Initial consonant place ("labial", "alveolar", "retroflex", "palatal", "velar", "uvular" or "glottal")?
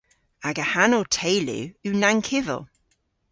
velar